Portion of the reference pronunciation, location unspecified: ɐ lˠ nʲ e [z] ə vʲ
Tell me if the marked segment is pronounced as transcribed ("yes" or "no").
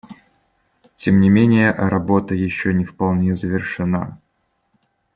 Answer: yes